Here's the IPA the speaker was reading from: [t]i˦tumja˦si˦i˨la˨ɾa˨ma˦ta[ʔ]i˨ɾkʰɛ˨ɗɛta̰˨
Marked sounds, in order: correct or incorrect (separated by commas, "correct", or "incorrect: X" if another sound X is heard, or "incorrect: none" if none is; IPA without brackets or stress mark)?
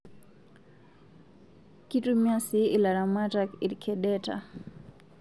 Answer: incorrect: k, incorrect: k